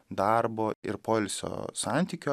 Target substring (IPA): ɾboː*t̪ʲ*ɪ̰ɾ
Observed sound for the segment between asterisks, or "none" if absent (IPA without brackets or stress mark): none